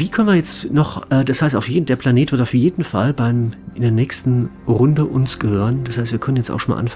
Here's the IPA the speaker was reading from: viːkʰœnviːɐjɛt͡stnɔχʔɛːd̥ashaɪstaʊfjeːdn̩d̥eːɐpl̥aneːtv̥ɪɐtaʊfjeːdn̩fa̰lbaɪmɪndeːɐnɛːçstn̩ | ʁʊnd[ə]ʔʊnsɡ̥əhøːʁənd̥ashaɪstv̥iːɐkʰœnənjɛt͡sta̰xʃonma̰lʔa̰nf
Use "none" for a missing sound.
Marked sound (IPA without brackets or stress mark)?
ə